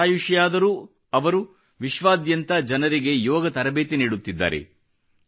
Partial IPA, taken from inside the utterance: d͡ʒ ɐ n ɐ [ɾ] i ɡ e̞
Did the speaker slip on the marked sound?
no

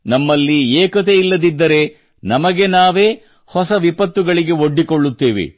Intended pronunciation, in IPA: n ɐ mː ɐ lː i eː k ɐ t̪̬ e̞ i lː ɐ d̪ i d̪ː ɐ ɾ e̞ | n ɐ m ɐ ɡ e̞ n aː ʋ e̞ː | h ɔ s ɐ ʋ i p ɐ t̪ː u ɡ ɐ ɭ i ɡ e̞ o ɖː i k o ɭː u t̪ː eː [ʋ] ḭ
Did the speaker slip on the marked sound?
no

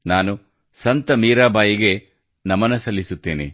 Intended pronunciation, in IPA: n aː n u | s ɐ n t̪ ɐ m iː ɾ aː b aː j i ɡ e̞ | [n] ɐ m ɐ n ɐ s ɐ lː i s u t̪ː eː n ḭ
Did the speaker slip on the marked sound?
no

